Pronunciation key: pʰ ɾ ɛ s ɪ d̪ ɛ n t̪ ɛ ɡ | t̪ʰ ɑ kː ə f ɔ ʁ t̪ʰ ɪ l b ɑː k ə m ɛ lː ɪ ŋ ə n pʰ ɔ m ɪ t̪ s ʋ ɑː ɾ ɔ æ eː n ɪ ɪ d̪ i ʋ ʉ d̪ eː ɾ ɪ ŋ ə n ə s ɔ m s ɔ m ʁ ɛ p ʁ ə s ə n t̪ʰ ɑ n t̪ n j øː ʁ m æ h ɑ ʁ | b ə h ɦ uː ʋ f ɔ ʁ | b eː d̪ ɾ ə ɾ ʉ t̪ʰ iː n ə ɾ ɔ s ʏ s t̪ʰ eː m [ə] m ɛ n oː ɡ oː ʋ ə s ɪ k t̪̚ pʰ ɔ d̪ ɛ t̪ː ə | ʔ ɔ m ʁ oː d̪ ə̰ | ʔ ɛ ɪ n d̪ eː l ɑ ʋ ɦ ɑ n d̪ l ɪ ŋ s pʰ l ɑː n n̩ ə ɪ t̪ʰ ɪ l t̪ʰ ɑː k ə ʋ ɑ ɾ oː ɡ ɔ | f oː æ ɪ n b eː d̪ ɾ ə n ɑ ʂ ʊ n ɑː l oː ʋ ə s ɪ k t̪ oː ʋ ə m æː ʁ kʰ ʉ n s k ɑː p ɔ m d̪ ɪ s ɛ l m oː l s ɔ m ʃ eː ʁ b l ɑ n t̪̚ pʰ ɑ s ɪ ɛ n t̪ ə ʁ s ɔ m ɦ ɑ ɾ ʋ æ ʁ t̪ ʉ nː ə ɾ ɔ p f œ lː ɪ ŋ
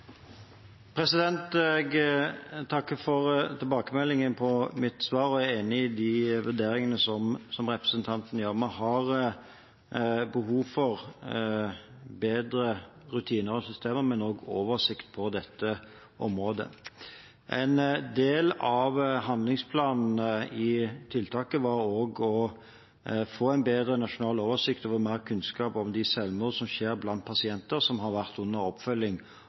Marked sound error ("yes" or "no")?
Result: no